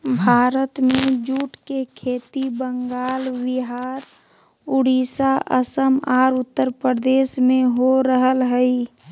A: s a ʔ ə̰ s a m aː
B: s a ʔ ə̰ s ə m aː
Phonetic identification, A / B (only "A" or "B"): B